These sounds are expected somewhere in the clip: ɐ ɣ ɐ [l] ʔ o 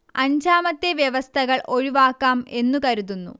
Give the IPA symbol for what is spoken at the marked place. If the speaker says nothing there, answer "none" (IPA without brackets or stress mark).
ɭ